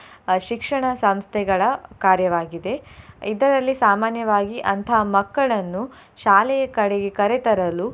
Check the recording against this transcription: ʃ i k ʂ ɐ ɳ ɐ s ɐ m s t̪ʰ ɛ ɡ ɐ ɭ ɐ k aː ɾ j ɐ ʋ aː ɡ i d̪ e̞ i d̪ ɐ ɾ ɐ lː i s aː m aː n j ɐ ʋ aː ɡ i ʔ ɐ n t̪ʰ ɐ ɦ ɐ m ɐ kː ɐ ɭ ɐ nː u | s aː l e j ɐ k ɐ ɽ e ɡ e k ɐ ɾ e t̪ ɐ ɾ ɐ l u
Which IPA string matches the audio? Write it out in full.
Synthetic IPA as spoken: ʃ i k ʂ ɐ ɳ ɐ s ɐ m s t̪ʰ ɛ ɡ ɐ ɭ ɐ k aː ɾ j ɐ ʋ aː ɡ i d̪ e̞ i d̪ ɐ ɾ ɐ lː i s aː m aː n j ɐ ʋ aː ɡ i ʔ ɐ n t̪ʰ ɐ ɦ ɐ m ɐ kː ɐ ɭ ɐ nː u | ʃ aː l ɛ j ɐ k ɐ ɽ e ɡ e k ɐ ɾ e t̪ ɐ ɾ ɐ l u